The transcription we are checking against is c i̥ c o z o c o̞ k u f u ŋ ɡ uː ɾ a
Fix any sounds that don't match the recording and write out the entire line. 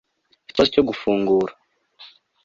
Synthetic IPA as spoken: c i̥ t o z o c o̞ ɡ u f uː ŋ ɡ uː ɾ a